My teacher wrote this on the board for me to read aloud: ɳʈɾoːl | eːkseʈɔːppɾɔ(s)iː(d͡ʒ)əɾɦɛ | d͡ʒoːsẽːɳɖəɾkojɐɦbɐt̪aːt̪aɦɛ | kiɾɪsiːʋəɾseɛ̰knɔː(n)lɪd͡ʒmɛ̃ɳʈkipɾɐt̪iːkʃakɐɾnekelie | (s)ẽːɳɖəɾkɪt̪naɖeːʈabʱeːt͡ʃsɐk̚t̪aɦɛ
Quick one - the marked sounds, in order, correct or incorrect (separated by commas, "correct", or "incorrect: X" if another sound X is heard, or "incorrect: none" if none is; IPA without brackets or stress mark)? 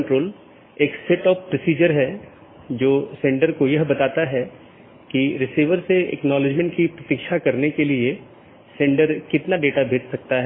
correct, correct, incorrect: none, correct